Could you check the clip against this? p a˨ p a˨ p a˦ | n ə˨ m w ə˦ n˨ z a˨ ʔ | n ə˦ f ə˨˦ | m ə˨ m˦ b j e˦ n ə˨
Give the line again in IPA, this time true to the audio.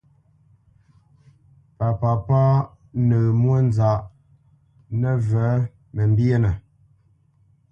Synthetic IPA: p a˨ p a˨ p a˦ | n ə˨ m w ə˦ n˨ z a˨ ʔ | n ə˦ v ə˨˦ | m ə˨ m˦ b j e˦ n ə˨

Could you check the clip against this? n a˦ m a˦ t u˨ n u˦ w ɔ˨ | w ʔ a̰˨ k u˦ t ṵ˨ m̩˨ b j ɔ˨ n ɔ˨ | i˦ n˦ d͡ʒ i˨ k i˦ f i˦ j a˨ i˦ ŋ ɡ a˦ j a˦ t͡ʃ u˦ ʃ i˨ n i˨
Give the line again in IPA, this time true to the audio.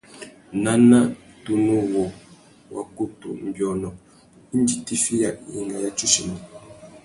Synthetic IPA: n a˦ n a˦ t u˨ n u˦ w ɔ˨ | w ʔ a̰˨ k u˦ t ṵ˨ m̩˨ b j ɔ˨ n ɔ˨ | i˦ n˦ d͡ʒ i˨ t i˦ f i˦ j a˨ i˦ ŋ ɡ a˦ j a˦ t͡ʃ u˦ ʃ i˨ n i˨

